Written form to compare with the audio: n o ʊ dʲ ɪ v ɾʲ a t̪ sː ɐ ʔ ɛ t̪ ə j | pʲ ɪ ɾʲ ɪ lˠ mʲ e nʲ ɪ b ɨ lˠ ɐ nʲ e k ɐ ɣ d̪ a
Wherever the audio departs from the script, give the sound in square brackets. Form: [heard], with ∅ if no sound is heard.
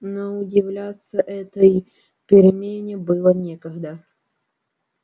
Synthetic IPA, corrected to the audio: n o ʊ dʲ ɪ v [lʲ] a t̪ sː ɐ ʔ ɛ t̪ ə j | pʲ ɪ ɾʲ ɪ [∅] mʲ e nʲ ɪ b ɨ lˠ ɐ nʲ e k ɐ ɣ d̪ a